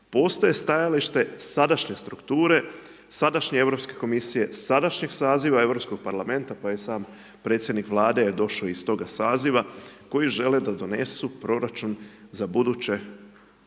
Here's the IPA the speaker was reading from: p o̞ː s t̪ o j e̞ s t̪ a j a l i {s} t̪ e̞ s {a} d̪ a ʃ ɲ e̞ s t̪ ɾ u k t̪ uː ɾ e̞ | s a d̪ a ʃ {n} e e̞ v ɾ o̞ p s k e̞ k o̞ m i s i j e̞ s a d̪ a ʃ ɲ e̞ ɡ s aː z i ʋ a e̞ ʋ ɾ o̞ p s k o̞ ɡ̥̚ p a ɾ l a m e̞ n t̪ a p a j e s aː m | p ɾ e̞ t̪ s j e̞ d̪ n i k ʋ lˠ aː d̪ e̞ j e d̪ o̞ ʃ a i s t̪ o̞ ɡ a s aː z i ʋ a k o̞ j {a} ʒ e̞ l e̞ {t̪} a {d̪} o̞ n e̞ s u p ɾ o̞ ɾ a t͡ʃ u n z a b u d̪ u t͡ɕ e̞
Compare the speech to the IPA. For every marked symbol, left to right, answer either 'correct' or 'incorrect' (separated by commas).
incorrect, correct, incorrect, incorrect, incorrect, correct